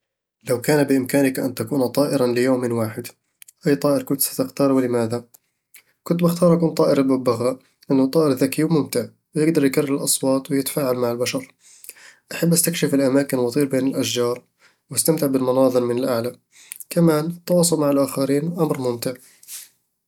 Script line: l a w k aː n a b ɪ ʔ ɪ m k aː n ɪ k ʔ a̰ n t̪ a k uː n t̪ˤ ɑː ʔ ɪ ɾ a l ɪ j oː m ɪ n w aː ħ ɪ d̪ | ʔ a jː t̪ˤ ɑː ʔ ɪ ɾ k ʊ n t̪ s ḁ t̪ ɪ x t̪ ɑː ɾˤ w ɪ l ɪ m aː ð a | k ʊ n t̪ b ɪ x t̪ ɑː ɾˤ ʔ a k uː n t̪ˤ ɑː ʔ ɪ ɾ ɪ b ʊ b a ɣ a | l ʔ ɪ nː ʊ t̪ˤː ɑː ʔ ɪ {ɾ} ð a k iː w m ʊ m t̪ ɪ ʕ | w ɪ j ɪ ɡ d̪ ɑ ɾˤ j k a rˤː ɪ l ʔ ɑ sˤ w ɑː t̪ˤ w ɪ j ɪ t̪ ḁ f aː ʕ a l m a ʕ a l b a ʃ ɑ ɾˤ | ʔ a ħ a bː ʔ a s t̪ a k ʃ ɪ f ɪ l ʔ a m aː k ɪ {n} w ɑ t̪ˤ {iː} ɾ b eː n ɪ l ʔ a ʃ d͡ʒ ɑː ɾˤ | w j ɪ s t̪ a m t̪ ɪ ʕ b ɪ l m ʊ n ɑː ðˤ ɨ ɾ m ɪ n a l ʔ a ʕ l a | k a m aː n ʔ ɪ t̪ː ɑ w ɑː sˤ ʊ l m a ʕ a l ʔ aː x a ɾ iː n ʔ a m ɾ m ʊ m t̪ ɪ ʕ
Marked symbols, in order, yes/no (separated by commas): yes, yes, yes